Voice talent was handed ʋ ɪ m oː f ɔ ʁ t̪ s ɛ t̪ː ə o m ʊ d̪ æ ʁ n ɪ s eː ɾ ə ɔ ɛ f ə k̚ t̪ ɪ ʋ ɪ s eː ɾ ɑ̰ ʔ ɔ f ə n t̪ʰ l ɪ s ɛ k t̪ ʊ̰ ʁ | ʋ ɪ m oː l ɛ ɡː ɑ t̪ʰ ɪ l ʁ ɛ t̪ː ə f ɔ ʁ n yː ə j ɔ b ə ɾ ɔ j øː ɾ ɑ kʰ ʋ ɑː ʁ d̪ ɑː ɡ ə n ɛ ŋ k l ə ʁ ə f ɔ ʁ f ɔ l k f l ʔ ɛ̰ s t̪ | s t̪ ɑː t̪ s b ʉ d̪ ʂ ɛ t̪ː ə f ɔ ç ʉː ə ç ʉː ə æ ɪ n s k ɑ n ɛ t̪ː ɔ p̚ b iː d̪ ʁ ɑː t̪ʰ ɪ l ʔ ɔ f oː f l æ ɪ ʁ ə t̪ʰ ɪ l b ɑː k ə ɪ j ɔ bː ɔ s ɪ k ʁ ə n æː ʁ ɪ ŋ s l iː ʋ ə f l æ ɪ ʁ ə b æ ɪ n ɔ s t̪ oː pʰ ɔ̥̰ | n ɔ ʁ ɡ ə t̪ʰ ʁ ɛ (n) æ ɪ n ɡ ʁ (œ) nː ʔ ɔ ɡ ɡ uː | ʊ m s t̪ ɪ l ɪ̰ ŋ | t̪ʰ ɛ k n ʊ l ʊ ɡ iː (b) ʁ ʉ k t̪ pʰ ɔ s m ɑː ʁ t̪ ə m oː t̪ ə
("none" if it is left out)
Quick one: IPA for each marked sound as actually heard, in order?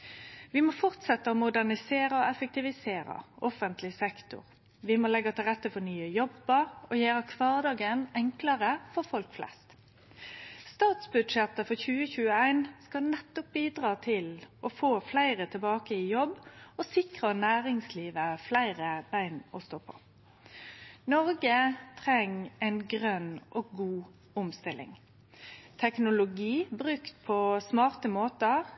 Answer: ŋ, œ, b

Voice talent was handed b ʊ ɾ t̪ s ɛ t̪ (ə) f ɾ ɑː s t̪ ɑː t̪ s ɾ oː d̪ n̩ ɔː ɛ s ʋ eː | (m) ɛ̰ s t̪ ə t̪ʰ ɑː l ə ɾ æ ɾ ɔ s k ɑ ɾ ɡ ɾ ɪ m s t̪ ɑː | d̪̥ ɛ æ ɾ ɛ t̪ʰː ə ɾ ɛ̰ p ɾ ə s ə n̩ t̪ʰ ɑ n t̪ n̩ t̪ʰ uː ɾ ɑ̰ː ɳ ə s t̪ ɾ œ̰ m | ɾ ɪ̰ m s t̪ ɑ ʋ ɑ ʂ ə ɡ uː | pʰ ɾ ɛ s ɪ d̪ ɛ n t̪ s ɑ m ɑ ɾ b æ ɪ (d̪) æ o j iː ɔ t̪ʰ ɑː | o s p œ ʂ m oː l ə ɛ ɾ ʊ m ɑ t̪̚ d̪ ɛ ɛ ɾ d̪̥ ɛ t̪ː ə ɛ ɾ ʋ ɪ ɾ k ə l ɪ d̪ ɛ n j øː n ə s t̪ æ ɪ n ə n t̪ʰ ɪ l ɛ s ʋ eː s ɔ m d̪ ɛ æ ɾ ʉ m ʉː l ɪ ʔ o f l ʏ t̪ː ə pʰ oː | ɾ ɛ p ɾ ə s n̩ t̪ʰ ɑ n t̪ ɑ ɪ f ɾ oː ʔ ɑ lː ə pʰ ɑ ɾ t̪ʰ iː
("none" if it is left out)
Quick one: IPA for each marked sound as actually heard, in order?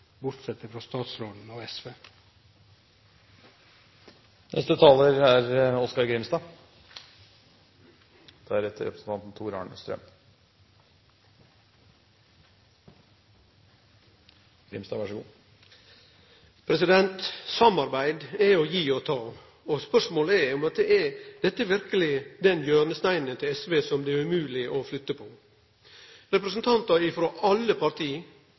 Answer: ə, n, d̪

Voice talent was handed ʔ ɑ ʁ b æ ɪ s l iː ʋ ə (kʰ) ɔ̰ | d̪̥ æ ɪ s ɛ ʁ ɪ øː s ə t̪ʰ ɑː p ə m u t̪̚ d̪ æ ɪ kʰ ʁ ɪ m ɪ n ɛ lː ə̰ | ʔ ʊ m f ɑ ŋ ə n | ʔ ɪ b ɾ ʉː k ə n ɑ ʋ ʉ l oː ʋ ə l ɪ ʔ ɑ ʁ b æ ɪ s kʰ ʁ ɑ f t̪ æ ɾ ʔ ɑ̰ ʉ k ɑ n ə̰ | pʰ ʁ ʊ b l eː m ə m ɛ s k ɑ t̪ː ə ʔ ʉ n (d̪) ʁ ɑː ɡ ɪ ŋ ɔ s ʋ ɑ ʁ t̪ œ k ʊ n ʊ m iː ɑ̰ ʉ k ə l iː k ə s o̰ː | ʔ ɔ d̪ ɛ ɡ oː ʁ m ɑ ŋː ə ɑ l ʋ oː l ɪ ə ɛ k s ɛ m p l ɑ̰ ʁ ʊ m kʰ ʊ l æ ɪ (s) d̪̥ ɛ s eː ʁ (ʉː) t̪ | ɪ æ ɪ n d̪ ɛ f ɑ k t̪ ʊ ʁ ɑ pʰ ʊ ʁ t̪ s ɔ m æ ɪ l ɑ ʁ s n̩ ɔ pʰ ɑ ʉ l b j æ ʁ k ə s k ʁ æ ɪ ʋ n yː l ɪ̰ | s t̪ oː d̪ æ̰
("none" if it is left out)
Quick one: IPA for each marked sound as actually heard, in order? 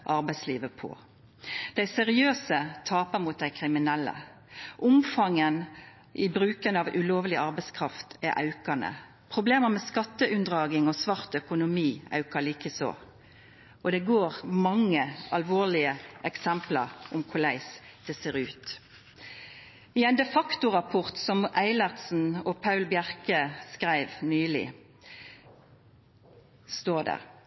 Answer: pʰ, d̪, s, ʉː

